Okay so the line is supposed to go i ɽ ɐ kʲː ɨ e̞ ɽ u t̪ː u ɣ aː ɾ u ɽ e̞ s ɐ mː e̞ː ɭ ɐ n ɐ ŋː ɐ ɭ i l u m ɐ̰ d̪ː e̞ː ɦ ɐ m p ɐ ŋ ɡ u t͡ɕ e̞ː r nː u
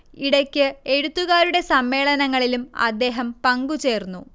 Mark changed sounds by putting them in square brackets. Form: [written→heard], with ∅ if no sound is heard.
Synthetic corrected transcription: i ɽ ɐ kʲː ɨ e̞ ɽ u t̪ː u ɣ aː ɾ u ɽ e̞ s ɐ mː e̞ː ɭ ɐ n ɐ ŋː ɐ ɭ i l u m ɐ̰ d̪ː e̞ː ɦ ɐ m p ɐ ŋ ɡ u t͡ɕ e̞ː r nː u